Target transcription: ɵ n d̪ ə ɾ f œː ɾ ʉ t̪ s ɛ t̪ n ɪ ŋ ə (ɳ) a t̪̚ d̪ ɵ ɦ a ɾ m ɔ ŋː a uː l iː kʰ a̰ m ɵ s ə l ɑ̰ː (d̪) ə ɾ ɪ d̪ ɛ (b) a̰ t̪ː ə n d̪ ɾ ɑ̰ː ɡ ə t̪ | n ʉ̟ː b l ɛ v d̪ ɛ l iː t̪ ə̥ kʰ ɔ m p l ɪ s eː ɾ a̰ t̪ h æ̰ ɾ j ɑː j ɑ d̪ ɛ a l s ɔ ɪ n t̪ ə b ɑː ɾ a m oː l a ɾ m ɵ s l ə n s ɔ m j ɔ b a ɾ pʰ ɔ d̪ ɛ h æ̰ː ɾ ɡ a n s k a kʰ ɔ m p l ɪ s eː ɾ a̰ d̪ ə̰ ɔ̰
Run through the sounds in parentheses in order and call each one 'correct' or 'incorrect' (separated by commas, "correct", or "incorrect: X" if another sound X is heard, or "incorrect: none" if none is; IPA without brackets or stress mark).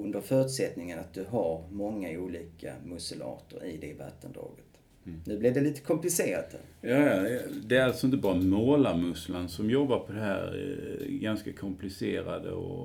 incorrect: n, incorrect: t̪, incorrect: v